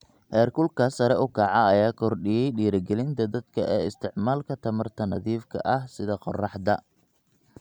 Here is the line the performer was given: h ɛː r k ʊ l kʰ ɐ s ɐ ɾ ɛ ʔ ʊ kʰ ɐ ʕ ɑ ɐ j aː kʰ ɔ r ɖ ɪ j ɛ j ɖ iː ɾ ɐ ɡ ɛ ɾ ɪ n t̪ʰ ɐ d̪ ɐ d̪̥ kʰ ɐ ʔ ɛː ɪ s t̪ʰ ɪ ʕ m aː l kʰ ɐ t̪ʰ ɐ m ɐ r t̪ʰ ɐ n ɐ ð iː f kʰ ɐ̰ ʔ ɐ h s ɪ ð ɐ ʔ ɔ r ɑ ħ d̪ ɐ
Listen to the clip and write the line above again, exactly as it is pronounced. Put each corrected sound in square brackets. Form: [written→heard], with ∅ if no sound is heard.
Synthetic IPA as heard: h ɛː r k ʊ l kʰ ɐ s ɐ ɾ ɛ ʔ ʊ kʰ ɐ ʕ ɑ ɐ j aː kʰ ɔ r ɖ ɪ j ɛ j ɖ iː ɾ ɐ ɡ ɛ [ɾ→l] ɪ n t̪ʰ ɐ d̪ ɐ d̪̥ kʰ ɐ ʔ ɛː ɪ s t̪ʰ ɪ ʕ m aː l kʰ ɐ t̪ʰ ɐ m ɐ r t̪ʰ ɐ n ɐ ð iː f kʰ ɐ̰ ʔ ɐ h s ɪ ð ɐ [ʔ→q] ɔ r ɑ ħ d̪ ɐ